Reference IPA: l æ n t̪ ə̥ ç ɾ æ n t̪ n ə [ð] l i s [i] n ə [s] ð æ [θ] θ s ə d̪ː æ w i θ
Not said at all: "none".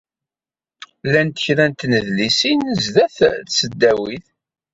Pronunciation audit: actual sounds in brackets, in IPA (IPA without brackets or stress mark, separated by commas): ð, i, z, θ